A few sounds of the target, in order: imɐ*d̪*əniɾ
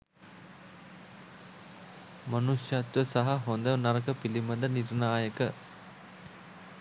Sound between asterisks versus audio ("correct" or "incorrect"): correct